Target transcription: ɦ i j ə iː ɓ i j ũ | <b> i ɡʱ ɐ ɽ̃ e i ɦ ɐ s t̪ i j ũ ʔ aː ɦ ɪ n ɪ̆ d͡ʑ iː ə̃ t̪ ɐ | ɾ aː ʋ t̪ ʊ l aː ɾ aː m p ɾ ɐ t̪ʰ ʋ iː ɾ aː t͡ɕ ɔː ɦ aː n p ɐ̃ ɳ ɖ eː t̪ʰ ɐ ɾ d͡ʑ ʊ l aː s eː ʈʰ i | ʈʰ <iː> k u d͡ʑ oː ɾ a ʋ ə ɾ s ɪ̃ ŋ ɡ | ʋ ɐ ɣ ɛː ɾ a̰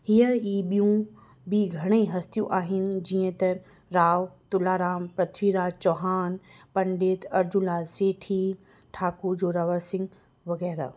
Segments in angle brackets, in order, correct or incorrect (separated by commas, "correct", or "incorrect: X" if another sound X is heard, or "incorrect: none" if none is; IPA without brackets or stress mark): correct, incorrect: aː